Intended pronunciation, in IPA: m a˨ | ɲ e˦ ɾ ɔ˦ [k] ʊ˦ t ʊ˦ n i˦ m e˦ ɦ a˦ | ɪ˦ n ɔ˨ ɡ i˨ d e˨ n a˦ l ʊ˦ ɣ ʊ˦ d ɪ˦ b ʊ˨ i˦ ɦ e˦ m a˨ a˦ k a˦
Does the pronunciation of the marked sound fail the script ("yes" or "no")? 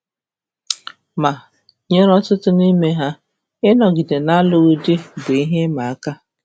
yes